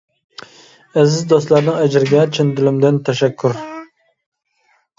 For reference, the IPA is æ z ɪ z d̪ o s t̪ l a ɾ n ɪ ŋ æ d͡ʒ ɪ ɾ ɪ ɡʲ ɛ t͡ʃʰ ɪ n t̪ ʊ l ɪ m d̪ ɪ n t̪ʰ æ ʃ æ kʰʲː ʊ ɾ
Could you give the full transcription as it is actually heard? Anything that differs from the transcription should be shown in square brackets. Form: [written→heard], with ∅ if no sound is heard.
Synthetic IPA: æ z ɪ z d̪ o s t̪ l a ɾ n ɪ ŋ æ d͡ʒ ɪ ɾ ɪ ɡʲ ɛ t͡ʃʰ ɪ n [t̪→d̪] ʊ l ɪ m d̪ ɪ n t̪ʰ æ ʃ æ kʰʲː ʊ ɾ